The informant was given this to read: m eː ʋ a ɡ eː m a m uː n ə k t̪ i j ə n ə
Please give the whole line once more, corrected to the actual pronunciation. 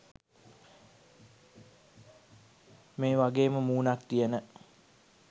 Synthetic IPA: m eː ʋ a ɡ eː m ə m uː n a k t̪ i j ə n ə